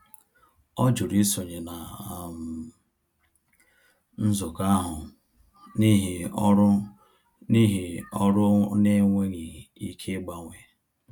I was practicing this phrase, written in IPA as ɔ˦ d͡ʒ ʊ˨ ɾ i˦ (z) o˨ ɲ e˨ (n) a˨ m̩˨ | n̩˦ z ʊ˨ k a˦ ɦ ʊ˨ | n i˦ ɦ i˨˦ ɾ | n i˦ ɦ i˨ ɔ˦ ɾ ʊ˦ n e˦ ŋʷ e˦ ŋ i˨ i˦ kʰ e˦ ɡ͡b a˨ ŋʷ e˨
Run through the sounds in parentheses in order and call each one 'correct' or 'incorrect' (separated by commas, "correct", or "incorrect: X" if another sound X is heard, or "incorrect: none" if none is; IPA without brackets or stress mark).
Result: incorrect: s, correct